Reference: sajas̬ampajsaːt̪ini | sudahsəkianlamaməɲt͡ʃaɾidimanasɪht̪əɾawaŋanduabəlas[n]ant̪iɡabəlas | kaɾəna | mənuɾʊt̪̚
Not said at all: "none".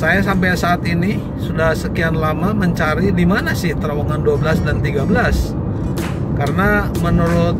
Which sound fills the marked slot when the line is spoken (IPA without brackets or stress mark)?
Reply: d